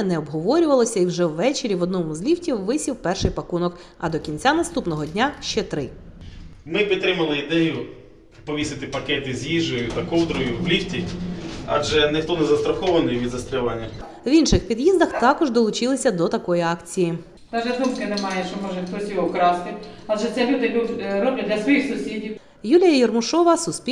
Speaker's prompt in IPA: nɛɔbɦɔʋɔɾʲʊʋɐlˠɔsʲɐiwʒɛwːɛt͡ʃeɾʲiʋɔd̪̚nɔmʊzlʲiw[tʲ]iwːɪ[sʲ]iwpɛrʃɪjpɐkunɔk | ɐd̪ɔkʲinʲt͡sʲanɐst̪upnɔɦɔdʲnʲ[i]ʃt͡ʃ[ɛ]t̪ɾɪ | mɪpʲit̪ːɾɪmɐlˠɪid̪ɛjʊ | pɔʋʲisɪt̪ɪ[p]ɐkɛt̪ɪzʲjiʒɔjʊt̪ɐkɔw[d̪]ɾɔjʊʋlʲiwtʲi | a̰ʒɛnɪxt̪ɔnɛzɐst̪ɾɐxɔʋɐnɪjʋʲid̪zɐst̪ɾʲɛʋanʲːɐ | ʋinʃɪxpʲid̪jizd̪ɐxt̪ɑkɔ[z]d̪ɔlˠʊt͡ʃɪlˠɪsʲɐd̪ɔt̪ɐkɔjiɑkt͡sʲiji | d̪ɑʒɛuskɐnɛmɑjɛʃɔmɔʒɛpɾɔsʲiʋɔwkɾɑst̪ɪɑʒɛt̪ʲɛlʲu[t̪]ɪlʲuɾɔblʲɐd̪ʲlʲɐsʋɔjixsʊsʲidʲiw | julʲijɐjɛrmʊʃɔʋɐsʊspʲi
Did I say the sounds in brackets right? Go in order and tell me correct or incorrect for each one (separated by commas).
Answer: correct, correct, incorrect, correct, correct, correct, incorrect, incorrect